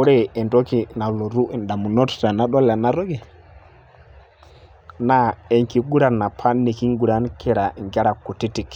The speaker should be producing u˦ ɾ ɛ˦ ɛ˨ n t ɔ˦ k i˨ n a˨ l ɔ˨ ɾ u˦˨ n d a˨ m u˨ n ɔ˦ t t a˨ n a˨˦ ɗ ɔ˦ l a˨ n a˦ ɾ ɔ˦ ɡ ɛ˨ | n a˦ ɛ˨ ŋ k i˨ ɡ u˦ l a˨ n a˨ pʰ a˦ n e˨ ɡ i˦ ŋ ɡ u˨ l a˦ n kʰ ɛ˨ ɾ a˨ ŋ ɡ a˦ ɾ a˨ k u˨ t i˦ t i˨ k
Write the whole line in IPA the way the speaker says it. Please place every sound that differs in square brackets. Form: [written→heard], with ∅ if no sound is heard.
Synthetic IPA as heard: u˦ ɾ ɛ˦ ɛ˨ n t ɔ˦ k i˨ n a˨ l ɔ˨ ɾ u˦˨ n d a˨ m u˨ n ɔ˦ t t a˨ n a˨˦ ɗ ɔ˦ l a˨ n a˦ ɾ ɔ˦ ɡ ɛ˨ | n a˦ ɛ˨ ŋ k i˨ ɡ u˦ [l→ɾ] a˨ n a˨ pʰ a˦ n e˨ [ɡ→k] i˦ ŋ ɡ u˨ [l→ɾ] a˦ n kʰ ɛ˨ ɾ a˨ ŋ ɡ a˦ ɾ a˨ k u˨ t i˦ t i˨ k